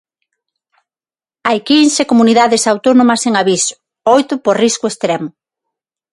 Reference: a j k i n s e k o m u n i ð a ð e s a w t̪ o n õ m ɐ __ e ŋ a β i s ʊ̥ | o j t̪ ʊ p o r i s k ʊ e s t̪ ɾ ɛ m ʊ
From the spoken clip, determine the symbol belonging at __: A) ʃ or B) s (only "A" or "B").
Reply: B